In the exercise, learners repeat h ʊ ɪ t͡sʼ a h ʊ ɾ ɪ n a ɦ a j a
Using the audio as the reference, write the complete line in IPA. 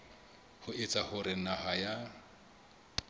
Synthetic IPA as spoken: h ʊ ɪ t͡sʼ a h ʊ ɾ ɪ n a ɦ a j a